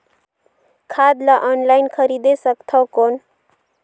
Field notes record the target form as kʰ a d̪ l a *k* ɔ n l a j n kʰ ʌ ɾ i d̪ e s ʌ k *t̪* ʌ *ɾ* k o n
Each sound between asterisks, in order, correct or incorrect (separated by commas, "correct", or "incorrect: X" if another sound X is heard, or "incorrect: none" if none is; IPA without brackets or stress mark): incorrect: ʔ, incorrect: t̪ʰ, incorrect: none